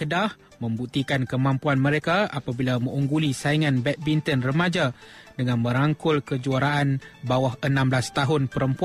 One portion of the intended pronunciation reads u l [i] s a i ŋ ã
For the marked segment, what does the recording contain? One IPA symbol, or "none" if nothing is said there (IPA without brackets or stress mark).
i